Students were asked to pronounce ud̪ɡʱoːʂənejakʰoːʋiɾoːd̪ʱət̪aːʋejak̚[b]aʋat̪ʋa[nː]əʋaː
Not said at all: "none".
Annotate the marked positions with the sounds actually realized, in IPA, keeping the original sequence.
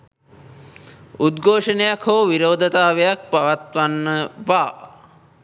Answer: p, nː

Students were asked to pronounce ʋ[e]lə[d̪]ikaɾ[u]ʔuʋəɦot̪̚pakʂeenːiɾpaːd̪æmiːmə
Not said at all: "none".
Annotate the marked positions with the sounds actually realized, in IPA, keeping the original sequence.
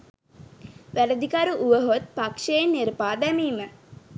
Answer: æ, d̪, u

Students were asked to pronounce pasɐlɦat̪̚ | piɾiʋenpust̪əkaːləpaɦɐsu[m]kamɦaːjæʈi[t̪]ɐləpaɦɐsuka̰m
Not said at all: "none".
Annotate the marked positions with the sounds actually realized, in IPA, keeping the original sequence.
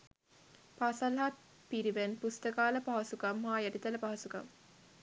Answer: none, t̪

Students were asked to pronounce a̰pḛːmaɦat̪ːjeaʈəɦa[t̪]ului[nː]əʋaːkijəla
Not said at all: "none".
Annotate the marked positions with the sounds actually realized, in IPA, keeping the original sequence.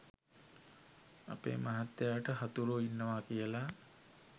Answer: t̪, nː

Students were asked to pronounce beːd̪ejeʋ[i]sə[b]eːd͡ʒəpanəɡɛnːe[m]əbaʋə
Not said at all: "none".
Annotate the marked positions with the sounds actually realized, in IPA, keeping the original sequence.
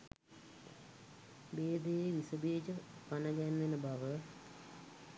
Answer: i, b, n

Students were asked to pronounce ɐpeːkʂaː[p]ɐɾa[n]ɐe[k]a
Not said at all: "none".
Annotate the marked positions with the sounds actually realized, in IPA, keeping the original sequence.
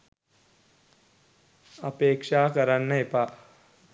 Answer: k, nː, p

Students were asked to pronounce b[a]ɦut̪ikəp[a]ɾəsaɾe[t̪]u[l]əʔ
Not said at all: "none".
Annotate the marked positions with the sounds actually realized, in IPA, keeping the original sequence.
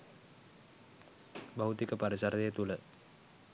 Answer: a, a, t̪, l

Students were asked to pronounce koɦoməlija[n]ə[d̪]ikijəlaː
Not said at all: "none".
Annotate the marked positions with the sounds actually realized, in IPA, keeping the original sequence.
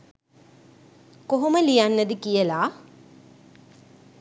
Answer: nː, d̪

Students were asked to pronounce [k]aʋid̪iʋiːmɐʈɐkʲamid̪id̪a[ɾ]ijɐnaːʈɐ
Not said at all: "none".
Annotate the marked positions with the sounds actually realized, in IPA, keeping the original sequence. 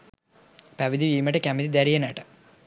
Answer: p, ɾ

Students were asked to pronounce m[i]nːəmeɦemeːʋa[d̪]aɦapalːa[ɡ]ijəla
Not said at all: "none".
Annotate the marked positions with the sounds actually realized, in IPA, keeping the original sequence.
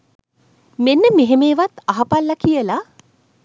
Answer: e, t̪, k

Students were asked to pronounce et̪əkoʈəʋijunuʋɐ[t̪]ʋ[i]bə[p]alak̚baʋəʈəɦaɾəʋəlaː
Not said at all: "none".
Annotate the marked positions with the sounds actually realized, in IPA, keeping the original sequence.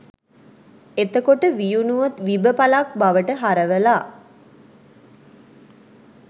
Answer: t̪, i, p

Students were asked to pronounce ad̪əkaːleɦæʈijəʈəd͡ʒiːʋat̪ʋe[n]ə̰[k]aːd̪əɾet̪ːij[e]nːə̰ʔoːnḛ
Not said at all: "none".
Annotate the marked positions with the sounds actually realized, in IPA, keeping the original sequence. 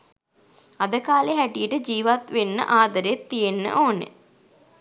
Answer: nː, ʔ, e

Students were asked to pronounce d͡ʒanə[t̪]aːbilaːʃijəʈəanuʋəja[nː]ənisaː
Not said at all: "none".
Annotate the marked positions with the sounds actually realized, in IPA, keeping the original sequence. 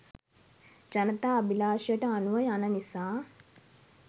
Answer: t̪, n

